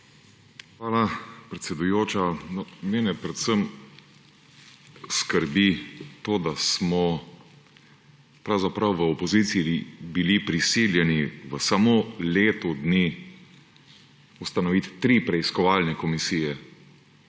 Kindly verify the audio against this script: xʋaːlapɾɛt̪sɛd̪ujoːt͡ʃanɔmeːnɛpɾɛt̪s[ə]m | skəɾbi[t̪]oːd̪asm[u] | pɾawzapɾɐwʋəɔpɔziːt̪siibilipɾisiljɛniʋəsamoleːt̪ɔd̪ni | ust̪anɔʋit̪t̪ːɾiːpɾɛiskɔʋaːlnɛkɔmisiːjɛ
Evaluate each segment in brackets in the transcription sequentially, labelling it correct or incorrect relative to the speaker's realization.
correct, correct, incorrect

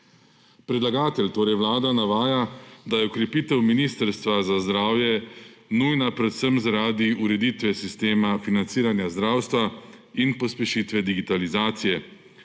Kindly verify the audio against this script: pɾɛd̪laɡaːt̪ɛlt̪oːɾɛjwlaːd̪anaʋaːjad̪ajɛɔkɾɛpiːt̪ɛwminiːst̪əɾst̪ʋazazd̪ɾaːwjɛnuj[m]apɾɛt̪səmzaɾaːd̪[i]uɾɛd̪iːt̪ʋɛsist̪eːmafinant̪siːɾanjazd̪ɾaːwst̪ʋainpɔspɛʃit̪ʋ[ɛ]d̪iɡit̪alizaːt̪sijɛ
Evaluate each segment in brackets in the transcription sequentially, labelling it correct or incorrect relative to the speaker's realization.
incorrect, correct, correct

